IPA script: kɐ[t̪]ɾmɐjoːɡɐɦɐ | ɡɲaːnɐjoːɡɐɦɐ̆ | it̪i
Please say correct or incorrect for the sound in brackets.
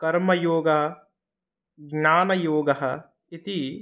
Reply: incorrect